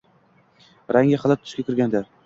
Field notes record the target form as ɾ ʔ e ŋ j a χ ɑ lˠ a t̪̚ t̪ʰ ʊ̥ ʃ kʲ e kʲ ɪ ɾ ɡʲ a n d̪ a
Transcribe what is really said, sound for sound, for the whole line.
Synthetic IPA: ɾ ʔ a ŋ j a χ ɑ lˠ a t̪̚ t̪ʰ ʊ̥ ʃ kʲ a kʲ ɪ ɾ ɡʲ a n d̪ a

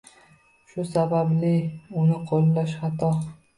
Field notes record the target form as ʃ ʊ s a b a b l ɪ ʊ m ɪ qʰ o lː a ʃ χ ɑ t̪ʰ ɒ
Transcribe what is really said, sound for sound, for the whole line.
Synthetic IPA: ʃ ʊ s a b a b l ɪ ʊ n ɪ qʰ o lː a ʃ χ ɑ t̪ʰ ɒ

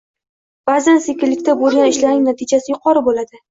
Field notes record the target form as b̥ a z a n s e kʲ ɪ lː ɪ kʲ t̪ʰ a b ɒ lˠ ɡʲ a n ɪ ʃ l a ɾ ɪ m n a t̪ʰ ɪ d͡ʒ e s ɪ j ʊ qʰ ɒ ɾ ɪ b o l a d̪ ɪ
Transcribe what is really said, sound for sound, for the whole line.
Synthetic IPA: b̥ a z a n s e kʲ ɪ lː ɪ kʲ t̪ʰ a b o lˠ ɡʲ a n ɪ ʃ l a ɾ ɪ ŋ n a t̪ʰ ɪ d͡ʒ a s ɪ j ʊ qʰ ɒ ɾ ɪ b o l a d̪ ɪ

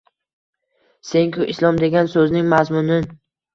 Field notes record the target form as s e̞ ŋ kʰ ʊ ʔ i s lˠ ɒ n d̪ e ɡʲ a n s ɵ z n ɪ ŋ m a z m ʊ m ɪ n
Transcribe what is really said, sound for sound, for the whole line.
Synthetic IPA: s e̞ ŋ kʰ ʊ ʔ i s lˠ ɒ m d̪ e ɡʲ a n s ɵ z n ɪ ŋ m a z m ʊ n ɪ n

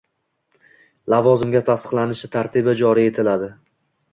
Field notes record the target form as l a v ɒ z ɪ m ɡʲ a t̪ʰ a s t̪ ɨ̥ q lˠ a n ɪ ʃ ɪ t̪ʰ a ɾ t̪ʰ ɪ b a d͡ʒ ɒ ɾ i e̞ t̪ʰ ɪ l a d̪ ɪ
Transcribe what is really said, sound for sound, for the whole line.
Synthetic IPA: l a v ɒ z ɪ m ɡʲ a t̪ʰ a s t̪ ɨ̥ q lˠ a n ɪ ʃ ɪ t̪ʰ a ɾ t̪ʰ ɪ b a d͡ʒ ɒ ɾ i e̞ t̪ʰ ɪ l a d̪ ɪ

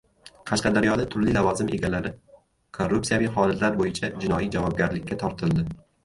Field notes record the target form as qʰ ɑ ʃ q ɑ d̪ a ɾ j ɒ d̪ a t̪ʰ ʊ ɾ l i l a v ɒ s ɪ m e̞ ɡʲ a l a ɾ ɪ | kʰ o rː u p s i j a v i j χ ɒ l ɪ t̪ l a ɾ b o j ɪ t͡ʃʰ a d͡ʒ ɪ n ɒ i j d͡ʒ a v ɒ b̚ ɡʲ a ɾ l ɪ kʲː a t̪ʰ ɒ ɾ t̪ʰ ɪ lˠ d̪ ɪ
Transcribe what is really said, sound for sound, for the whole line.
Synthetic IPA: qʰ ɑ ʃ q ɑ d̪ a ɾ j ɒ d̪ a t̪ʰ ʊ ɾ l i l a v ɒ z ɪ m e̞ ɡʲ a l a ɾ ɪ | kʰ o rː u p s i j a v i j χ ɒ l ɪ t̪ l a ɾ b o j ɪ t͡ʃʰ a d͡ʒ ɪ n ɒ i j d͡ʒ a v ɒ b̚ ɡʲ a ɾ l ɪ kʲː a t̪ʰ ɒ ɾ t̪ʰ ɪ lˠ d̪ ɪ

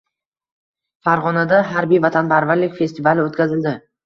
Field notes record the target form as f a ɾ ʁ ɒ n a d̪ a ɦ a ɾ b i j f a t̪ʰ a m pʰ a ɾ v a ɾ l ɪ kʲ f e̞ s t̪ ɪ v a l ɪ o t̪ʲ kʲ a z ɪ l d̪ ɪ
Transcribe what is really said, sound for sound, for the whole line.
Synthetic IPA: f a ɾ ʁ ɒ n a d̪ a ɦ a ɾ b i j v a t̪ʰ a n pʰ a ɾ v a ɾ l ɪ kʲ f e̞ s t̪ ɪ v a l ɪ o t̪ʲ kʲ a z ɪ l d̪ ɪ

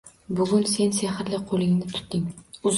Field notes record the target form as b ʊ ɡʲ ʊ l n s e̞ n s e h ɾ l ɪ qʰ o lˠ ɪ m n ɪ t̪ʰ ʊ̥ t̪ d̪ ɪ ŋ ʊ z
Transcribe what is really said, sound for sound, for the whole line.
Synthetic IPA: b ʊ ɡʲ ʊ n s e̞ n s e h ɾ l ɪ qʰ o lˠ ɪ ŋ n ɪ t̪ʰ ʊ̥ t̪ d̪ ɪ ŋ ʊ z

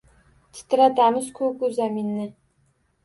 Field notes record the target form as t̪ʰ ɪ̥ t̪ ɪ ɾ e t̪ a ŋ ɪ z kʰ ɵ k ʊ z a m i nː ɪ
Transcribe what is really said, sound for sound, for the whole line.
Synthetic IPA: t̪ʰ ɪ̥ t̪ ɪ ɾ a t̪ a m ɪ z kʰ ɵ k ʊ z a m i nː ɪ

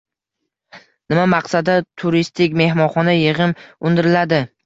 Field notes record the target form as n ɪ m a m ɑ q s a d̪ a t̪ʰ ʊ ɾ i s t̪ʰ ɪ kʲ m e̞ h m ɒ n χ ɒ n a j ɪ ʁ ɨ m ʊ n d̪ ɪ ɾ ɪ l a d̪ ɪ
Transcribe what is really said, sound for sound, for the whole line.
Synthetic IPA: n ɪ m a m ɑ q s a d̪ a t̪ʰ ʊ ɾ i s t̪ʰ ɪ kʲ m e̞ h m ɒ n χ ɒ n a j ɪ ʁ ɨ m ʊ n d̪ ɪ ɾ ɪ l a d̪ ɪ

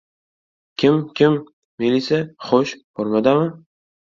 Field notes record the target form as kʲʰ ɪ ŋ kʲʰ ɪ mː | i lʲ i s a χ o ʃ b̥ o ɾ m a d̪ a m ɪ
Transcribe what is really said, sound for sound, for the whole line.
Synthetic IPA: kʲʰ ɪ m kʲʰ ɪ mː | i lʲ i s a χ o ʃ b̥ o ɾ m a d̪ a m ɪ

